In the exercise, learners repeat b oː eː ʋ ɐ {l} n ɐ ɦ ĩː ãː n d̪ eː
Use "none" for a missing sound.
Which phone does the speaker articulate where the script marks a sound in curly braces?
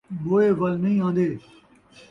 l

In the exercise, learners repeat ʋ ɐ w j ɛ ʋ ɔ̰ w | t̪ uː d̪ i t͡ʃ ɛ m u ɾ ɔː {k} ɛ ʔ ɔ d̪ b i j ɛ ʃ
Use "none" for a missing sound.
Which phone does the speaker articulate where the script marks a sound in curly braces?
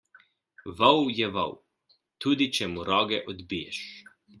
ɡ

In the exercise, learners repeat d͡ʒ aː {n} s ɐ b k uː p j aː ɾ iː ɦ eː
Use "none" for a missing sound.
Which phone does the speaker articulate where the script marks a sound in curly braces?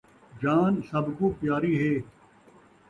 n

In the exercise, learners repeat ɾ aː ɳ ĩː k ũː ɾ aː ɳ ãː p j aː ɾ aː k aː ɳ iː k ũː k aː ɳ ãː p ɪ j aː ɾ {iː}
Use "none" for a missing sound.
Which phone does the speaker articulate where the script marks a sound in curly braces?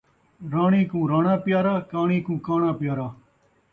aː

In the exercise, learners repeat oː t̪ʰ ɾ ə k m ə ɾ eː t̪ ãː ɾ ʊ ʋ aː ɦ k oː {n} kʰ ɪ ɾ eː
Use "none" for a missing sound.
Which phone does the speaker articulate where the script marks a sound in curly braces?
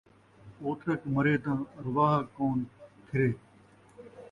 n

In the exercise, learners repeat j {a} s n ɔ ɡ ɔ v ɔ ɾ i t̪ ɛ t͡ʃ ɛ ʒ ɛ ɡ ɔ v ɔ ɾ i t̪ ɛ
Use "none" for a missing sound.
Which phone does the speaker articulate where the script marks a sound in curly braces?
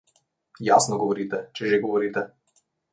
a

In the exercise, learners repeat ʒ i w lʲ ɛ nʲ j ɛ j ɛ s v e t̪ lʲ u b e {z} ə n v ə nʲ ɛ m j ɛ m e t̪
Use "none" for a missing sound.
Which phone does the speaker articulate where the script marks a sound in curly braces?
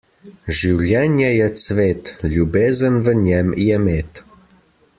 z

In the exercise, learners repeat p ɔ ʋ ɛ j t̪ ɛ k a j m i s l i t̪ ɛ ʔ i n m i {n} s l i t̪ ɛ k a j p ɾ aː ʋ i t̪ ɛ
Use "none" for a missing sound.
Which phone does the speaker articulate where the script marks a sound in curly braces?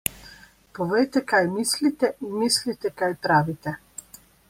none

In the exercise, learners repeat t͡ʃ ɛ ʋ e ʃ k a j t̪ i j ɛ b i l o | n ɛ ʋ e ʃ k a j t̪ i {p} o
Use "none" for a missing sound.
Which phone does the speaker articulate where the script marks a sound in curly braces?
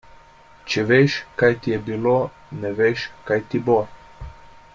b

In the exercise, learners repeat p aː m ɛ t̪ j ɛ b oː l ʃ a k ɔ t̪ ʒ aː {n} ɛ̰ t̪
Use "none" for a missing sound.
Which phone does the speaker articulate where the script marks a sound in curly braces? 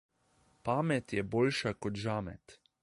m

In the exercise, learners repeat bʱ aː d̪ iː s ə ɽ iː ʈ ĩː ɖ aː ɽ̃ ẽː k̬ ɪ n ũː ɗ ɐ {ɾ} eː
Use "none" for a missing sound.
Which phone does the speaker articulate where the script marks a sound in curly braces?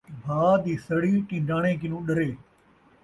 ɾ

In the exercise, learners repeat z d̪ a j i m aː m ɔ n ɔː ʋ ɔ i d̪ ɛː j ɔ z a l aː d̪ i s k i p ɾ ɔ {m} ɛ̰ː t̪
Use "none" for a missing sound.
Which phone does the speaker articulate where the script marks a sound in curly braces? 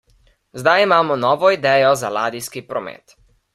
m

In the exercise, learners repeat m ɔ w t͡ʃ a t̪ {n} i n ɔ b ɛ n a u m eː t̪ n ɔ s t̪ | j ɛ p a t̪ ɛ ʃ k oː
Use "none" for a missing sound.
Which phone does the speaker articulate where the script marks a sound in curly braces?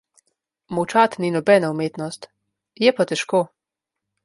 n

